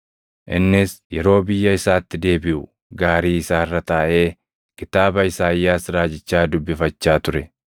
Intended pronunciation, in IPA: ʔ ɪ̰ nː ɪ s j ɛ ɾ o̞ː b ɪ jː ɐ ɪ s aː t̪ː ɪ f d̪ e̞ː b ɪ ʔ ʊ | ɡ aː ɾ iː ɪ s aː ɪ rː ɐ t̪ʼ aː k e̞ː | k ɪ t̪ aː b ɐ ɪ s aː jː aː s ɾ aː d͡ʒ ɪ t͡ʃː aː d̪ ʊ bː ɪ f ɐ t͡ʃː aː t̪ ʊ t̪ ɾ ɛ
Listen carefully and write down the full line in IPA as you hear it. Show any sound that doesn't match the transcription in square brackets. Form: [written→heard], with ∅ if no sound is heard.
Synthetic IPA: ʔ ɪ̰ nː ɪ s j ɛ ɾ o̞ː b ɪ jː ɐ ɪ s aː t̪ː ɪ [f→∅] d̪ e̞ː b ɪ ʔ ʊ | ɡ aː ɾ iː ɪ s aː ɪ rː ɐ [t̪ʼ→t̪] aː [k→ʔ] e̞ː | k ɪ t̪ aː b ɐ ɪ s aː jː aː s ɾ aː d͡ʒ ɪ t͡ʃː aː d̪ ʊ bː ɪ f ɐ t͡ʃː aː t̪ ʊ [t̪→∅] ɾ ɛ

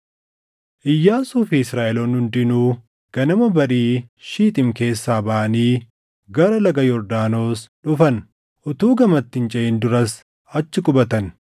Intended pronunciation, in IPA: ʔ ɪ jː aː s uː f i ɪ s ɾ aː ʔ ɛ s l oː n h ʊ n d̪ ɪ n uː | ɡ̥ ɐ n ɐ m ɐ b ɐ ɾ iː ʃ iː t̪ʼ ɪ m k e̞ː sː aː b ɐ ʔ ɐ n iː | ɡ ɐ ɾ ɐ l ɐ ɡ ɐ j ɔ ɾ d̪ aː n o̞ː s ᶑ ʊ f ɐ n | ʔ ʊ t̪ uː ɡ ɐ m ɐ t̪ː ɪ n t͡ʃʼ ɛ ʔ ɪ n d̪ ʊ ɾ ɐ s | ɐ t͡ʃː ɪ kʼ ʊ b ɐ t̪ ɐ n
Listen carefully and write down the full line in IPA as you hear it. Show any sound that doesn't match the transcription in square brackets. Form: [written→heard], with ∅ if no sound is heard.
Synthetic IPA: ʔ ɪ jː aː s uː f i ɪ s ɾ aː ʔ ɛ [s→∅] l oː n h ʊ n d̪ ɪ n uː | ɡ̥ ɐ n ɐ m ɐ b ɐ ɾ iː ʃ iː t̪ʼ ɪ m k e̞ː sː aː b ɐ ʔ ɐ n iː | ɡ ɐ ɾ ɐ l ɐ ɡ ɐ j ɔ ɾ d̪ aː n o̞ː s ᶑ ʊ f ɐ n | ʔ ʊ t̪ uː ɡ ɐ m ɐ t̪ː ɪ n t͡ʃʼ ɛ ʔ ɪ n d̪ ʊ ɾ ɐ s | ɐ t͡ʃː ɪ kʼ ʊ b ɐ t̪ ɐ n

